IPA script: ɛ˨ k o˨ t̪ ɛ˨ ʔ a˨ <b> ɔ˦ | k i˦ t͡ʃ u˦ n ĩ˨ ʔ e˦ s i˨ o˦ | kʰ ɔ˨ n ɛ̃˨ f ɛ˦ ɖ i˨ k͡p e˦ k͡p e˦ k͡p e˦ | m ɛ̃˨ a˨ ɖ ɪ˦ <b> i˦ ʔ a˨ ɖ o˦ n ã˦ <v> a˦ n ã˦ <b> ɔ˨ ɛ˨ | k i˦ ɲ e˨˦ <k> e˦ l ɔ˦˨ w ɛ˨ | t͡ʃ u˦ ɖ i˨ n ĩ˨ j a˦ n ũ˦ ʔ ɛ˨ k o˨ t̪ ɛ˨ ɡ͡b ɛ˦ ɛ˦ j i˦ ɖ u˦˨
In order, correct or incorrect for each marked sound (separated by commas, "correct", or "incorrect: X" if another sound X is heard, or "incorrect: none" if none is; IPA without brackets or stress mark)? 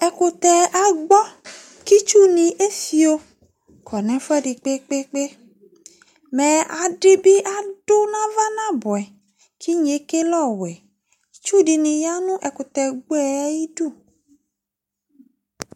incorrect: ɡ͡b, correct, correct, correct, correct